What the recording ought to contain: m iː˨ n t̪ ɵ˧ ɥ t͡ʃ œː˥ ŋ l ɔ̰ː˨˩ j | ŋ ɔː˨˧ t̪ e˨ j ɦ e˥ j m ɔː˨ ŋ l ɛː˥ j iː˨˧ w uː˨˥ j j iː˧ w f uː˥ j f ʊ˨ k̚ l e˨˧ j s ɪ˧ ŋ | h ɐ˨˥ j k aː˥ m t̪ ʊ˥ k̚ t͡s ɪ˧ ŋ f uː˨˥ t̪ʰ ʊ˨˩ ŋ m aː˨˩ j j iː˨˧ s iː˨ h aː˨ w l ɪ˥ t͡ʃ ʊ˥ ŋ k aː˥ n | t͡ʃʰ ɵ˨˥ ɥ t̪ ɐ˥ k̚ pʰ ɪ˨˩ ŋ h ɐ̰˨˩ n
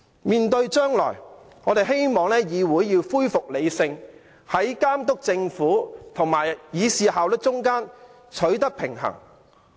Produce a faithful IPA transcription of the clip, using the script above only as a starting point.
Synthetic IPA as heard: m iː˨ n t̪ ɵ˧ ɥ t͡ʃ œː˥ ŋ l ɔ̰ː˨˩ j | ŋ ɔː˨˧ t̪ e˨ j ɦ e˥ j m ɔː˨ ŋ l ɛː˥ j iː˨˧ w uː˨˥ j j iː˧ w f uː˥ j f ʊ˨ k̚ l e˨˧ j s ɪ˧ ŋ | h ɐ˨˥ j k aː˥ m t̪ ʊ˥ k̚ t͡s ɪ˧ ŋ f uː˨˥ t̪ʰ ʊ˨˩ ŋ m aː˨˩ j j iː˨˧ s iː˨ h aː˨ w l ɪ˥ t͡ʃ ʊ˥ ŋ k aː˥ n | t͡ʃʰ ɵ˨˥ ɥ t̪ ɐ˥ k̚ pʰ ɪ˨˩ ŋ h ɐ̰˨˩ ŋ